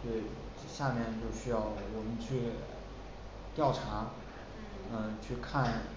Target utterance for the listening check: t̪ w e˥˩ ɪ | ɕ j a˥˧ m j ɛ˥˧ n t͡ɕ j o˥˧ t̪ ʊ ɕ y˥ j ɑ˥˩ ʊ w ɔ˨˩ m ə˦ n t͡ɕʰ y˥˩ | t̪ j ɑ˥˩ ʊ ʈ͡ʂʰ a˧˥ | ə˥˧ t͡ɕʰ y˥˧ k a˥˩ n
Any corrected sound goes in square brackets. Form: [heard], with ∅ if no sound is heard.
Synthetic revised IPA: t̪ w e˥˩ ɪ | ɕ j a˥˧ m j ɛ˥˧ n t͡ɕ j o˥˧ [∅] ʊ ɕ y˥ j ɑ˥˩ ʊ w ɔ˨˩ m ə˦ n t͡ɕʰ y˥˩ | t̪ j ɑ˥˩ ʊ ʈ͡ʂʰ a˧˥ | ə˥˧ t͡ɕʰ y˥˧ [kʰ] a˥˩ n